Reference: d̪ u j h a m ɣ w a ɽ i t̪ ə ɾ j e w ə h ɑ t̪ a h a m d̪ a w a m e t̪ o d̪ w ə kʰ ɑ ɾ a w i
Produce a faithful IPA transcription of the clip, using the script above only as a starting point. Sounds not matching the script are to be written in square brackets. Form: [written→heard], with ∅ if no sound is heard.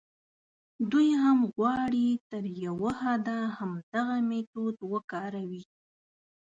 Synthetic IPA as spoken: d̪ u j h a m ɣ w [a→ɑ] ɽ i t̪ ə ɾ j [e→a] w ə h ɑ [t̪→d̪] a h a m d̪ a [w→ɣ] a m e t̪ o d̪ w ə [kʰ→k] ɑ ɾ a w i